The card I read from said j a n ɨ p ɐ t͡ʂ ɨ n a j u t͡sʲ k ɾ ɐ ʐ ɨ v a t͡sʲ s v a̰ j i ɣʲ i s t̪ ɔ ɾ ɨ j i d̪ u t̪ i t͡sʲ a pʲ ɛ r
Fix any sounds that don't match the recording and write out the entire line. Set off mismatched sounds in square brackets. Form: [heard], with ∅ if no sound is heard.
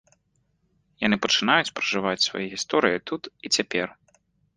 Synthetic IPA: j a n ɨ p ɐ t͡ʂ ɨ n a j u t͡sʲ [p] ɾ ɐ ʐ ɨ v a t͡sʲ s v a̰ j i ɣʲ i s t̪ ɔ ɾ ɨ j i [t̪] u t̪ i t͡sʲ a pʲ ɛ r